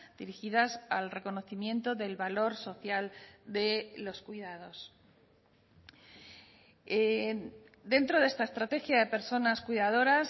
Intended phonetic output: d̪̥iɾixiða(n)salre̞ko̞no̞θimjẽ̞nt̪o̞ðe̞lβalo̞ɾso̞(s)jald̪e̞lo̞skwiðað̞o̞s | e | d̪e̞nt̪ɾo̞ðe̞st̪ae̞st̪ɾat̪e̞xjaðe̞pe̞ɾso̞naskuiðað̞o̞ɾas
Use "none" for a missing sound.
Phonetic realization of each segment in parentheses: none, θ

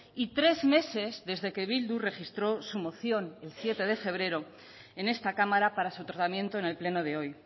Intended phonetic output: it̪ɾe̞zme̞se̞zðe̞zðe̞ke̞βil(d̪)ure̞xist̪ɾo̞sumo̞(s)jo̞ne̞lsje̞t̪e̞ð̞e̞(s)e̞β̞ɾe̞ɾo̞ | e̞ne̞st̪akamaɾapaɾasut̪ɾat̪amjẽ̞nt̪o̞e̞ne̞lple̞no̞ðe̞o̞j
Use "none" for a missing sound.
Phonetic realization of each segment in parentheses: d̪, θ, f

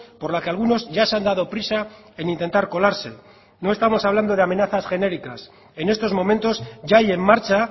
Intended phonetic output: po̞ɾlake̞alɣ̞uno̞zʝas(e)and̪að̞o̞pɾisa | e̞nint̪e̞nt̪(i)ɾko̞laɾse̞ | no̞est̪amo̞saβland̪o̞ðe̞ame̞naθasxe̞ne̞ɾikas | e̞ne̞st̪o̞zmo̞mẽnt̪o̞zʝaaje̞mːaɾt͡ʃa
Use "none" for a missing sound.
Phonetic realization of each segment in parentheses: e, a

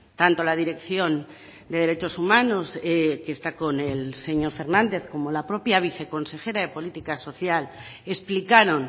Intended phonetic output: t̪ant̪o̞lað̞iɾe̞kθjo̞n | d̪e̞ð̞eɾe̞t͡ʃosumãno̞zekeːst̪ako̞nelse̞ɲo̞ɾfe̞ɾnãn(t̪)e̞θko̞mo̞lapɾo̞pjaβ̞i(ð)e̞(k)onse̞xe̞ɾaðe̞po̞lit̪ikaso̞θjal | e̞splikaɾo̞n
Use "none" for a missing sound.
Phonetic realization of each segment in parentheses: d̪, θ, k

